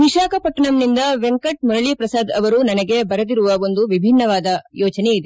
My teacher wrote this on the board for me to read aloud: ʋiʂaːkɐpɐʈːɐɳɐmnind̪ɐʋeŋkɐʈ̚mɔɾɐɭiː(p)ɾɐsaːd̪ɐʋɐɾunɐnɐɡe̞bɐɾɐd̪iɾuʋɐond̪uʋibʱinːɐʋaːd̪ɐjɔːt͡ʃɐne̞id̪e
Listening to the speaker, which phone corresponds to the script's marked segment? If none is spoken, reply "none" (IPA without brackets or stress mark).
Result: p